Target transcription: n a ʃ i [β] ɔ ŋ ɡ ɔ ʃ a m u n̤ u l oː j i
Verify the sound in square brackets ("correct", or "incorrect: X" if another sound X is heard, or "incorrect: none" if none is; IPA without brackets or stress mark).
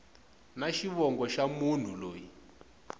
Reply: correct